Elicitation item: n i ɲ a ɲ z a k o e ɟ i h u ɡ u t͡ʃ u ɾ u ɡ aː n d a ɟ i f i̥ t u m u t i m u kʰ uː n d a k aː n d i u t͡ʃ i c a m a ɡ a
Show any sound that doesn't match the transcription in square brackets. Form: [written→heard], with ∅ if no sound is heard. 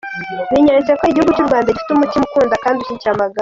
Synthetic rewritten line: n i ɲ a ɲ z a k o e ɟ i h u ɡ u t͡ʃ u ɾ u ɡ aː n d a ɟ i f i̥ t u m u t i m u [kʰ→k] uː n d a k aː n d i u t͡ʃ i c a m a ɡ a